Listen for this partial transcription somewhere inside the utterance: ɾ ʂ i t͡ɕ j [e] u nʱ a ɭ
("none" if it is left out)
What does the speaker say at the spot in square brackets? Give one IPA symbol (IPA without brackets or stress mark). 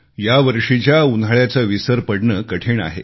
a